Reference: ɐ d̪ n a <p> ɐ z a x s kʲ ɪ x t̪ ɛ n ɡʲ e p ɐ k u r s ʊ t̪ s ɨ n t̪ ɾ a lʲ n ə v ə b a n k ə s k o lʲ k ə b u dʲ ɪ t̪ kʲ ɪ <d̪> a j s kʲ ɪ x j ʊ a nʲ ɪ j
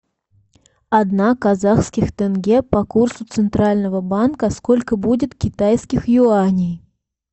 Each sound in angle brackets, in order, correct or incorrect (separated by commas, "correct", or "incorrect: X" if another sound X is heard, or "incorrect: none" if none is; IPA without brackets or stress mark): incorrect: k, incorrect: t̪